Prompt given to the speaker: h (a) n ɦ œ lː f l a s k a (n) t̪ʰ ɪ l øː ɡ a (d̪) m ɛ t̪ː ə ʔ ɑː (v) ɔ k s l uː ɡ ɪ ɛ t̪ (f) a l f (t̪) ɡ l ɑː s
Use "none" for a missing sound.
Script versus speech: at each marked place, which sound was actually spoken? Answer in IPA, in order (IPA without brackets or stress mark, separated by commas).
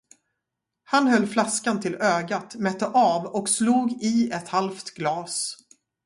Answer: a, n, t̪, v, h, t̪